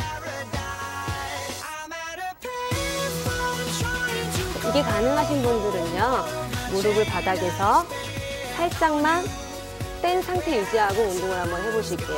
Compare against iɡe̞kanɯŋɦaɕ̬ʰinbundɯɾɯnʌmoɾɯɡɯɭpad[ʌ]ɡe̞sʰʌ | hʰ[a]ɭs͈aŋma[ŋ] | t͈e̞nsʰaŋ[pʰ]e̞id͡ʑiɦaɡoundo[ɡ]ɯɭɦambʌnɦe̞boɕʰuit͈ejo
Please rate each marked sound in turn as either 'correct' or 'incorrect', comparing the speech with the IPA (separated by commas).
incorrect, correct, incorrect, incorrect, incorrect